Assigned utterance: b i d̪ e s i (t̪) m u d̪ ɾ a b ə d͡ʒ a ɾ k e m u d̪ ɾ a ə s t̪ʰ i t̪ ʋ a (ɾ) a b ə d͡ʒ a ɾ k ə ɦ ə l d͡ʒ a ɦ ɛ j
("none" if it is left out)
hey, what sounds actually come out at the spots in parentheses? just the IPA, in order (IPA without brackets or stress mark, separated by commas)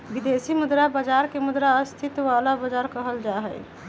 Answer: none, l